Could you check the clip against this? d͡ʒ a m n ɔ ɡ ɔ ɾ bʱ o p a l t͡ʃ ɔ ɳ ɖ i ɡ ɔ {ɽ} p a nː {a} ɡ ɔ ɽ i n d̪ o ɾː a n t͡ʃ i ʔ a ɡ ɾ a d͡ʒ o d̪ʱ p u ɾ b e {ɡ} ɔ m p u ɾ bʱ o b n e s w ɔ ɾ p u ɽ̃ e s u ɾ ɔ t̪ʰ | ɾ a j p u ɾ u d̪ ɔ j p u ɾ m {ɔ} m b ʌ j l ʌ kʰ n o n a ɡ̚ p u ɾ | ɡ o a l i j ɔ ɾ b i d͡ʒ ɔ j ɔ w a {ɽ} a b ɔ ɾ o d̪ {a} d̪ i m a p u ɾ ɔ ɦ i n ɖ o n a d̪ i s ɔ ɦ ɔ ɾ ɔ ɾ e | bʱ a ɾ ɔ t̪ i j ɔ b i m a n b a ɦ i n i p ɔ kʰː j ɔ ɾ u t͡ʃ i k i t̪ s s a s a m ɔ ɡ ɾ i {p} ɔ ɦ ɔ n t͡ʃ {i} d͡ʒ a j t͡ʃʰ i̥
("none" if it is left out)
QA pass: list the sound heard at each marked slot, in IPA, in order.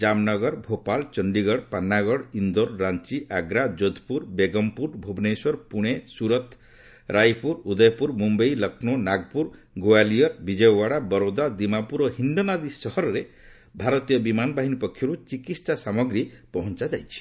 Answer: ɽ, a, ɡ, u, ɽ, a, p, a

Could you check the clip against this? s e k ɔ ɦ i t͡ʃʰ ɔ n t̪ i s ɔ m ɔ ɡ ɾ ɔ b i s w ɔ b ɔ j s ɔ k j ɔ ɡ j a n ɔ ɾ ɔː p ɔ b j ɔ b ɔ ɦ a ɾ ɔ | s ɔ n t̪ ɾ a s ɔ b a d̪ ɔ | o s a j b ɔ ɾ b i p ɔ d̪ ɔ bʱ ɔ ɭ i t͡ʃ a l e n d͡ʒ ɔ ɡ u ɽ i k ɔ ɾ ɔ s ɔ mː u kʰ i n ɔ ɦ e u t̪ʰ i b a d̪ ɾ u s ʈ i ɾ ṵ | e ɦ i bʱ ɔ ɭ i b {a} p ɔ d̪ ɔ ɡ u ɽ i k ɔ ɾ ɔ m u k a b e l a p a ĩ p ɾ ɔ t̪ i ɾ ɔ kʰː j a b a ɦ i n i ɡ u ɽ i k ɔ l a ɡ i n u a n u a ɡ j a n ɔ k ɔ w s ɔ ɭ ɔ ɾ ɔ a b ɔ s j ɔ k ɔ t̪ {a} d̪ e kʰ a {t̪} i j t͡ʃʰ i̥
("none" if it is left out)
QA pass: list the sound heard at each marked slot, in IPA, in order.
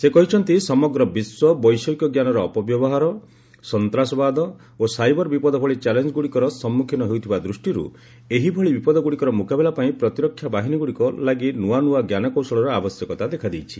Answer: i, a, d̪

